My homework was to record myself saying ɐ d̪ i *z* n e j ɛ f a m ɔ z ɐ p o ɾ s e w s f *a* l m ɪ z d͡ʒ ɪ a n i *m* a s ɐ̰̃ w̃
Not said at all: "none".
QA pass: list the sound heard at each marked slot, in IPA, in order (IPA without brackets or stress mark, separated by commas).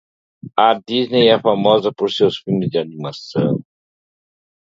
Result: z, i, m